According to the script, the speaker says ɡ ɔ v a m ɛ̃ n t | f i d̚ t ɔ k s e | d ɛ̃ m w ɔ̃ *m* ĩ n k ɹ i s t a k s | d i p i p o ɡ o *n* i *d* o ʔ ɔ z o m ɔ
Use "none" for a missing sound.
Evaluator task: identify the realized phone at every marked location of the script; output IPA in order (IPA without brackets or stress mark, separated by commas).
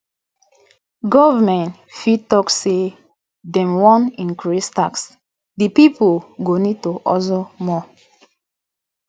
n, n, t